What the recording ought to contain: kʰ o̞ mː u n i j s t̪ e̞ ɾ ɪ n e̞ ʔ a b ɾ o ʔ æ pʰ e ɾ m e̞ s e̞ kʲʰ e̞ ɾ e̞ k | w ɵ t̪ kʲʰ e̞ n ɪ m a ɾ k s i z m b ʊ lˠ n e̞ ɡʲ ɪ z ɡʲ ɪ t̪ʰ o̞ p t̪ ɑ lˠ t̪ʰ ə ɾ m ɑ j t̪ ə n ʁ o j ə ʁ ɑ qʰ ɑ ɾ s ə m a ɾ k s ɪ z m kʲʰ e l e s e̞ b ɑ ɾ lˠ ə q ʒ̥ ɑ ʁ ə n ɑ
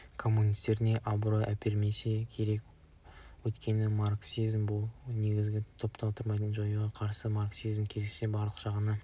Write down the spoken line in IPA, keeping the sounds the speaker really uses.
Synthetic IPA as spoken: kʰ o̞ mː u n i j s t̪ e̞ ɾ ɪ n e̞ ʔ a b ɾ o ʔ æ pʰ e ɾ m e̞ s e̞ kʲʰ e̞ ɾ e̞ k | w ɵ t̪ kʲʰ e̞ n ɪ m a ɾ k s i z m b ʊ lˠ n e̞ ɡʲ ɪ z ɡʲ ɪ t̪ʰ o̞ p t̪ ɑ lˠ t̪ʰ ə ɾ m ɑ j t̪ ə n ʒ o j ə ʁ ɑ qʰ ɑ ɾ s ə m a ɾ k s i z m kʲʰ e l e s e̞ b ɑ ɾ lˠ ə q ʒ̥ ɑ ʁ ə n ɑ

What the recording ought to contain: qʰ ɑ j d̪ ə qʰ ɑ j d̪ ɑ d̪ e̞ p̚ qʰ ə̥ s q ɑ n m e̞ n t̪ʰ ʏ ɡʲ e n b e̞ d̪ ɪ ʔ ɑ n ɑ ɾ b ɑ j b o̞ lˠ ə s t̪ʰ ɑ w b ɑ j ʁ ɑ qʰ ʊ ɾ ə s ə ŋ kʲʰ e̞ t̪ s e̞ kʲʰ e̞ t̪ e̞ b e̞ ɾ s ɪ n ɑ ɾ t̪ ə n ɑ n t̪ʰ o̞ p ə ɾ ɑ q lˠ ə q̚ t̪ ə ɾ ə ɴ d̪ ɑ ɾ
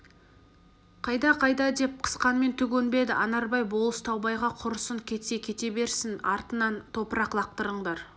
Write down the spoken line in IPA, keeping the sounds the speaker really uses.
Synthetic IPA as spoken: qʰ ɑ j d̪ ɑ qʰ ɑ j d̪ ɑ d̪ e̞ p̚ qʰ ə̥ s q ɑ n m e̞ n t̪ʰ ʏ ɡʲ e n b e̞ d̪ ɪ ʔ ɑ n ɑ ɾ b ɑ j b o̞ lˠ ə s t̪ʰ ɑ w b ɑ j ʁ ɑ qʰ ʊ ɾ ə s ə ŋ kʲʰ e̞ t̪ s e̞ kʲʰ e̞ t̪ e̞ b e̞ ɾ s ɪ n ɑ ɾ t̪ ə n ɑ n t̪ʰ o̞ p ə ɾ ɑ q lˠ ɑ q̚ t̪ ə ɾ ə ɴ d̪ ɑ ɾ

